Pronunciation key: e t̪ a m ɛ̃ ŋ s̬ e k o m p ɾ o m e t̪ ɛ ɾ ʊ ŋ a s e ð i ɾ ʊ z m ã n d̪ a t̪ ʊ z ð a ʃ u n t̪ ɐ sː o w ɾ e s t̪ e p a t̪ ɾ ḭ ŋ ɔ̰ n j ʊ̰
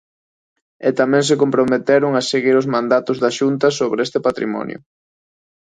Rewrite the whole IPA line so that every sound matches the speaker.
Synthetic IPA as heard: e t̪ a m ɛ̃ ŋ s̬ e k o m p ɾ o m e t̪ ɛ ɾ ʊ ŋ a s e ɣ i ɾ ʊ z m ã n d̪ a t̪ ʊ z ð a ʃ u n t̪ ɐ s o β ɾ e s t̪ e p a t̪ ɾ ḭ m ɔ̰ n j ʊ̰